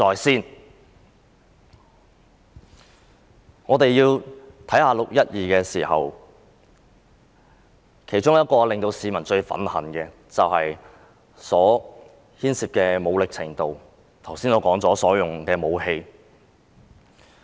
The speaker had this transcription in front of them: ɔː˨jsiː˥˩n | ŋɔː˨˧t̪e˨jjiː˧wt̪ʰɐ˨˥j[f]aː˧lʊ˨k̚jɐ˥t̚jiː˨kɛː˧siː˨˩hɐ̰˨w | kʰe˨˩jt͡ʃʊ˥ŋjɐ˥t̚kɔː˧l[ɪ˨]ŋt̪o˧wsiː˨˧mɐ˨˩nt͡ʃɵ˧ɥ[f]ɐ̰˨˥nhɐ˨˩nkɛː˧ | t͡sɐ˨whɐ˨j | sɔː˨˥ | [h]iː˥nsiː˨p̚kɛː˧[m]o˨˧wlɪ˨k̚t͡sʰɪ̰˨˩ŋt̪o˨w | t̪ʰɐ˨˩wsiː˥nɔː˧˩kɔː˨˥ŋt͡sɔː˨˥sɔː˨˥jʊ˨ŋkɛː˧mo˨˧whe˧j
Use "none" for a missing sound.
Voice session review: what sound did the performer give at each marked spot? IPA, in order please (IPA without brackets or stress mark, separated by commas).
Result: h, ɪ˨, f, h, m